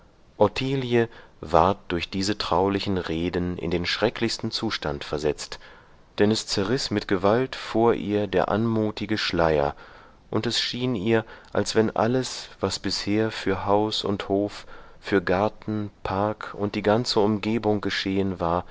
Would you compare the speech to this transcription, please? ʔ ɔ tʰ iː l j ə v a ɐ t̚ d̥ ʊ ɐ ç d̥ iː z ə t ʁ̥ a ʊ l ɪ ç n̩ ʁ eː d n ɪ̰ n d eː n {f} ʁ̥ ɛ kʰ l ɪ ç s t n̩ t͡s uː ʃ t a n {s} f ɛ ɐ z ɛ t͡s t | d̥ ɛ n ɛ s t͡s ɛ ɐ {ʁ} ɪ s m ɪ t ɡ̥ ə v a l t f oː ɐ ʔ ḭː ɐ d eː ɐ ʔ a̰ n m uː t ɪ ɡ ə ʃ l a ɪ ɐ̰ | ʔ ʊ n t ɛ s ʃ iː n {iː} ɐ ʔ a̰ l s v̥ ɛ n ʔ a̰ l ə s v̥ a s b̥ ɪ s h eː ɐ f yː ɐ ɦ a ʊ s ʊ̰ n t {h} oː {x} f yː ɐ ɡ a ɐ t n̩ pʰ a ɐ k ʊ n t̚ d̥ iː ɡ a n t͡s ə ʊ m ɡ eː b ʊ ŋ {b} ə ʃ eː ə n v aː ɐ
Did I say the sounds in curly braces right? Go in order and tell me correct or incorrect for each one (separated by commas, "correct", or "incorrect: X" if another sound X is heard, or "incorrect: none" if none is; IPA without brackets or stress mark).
incorrect: ʃ, incorrect: t, correct, correct, correct, incorrect: f, incorrect: ɡ